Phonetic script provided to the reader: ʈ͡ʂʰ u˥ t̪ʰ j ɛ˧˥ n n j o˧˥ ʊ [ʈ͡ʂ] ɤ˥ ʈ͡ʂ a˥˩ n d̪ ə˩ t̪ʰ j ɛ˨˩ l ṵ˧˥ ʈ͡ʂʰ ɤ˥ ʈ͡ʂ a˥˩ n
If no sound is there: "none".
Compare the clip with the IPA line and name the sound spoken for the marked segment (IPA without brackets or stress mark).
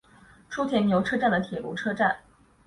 ʈ͡ʂʰ